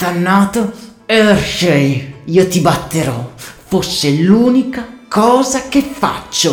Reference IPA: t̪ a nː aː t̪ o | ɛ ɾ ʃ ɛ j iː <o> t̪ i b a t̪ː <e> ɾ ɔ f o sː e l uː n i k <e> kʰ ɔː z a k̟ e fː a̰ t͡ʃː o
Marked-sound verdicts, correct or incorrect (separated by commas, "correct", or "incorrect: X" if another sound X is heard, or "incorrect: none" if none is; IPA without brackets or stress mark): correct, correct, incorrect: a